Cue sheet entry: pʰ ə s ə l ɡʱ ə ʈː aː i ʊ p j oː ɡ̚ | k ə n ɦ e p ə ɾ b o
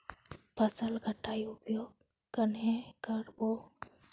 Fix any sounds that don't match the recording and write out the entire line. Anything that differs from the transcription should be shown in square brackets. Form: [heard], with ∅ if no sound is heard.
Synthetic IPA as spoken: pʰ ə s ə l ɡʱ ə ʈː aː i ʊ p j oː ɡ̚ | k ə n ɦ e [k] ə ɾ b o